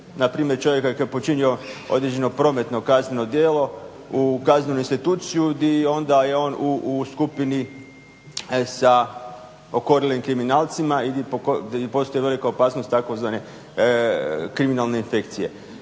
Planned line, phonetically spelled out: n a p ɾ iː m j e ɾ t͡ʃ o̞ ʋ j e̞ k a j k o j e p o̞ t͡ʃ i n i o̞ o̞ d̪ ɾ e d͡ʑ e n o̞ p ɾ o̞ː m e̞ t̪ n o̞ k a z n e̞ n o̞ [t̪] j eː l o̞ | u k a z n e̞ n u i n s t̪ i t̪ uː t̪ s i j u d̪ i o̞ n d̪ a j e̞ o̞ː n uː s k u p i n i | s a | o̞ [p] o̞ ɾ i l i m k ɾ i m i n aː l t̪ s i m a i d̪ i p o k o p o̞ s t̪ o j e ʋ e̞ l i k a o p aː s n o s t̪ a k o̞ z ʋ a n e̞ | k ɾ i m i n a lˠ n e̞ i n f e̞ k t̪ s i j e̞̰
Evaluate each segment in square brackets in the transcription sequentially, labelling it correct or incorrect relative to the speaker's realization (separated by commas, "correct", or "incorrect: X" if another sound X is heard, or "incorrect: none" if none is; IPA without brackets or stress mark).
incorrect: d̪, incorrect: k